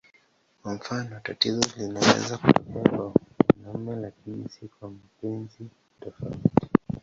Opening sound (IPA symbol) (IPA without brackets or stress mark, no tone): k